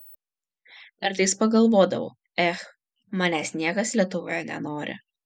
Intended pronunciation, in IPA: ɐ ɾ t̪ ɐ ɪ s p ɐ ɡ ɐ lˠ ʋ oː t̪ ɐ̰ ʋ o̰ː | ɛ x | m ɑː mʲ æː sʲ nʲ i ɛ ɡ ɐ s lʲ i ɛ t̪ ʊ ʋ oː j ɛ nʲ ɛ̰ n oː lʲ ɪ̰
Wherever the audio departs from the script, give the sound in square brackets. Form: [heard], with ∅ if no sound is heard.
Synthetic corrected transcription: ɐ ɾ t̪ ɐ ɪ s p ɐ ɡ ɐ lˠ ʋ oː [d̪] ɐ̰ ʋ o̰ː | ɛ x | m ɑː [nʲ] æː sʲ nʲ i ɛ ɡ ɐ s lʲ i ɛ t̪ ʊ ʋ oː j ɛ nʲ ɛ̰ n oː [ɾʲ] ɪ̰